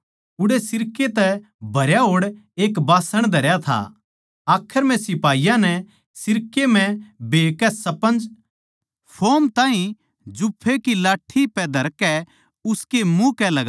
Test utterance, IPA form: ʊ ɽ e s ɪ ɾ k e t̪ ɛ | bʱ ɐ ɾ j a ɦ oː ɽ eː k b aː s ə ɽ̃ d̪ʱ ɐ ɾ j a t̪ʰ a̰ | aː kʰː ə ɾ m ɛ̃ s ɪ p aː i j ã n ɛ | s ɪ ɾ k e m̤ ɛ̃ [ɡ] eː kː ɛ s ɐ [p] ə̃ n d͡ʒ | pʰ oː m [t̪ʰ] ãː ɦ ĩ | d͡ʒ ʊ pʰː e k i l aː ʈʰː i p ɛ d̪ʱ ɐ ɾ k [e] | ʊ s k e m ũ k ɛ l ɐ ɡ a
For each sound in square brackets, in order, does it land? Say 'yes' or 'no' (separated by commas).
no, yes, no, no